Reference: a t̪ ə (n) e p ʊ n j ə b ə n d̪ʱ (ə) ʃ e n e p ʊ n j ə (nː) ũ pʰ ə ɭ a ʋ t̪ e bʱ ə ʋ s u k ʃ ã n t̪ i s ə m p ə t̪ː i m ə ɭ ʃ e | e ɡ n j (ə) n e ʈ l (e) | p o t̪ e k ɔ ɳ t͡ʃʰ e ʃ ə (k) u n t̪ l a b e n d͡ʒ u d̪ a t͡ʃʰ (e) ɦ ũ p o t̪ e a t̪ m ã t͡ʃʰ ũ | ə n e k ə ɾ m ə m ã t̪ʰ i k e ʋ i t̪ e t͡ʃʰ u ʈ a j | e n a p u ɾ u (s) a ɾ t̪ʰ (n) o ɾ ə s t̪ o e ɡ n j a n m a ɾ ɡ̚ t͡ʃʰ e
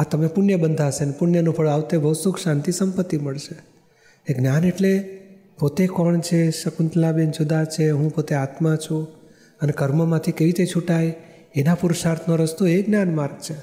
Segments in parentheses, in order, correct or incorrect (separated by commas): incorrect, incorrect, incorrect, incorrect, correct, correct, correct, incorrect, correct